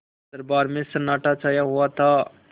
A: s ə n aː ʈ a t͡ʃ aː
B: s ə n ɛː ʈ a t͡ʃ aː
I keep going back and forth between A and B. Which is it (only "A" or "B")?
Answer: A